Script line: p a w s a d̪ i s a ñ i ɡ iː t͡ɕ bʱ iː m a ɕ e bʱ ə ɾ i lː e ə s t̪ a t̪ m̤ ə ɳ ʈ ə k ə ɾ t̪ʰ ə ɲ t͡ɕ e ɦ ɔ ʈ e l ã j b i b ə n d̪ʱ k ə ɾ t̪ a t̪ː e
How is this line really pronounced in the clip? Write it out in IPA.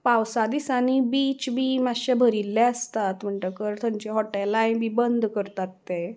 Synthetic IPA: p a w s a d̪ i s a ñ i b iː t͡ɕ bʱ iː m a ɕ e bʱ ə ɾ i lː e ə s t̪ a t̪ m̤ ə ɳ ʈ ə k ə ɾ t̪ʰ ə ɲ t͡ɕ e ɦ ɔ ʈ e l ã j b i b ə n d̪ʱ k ə ɾ t̪ a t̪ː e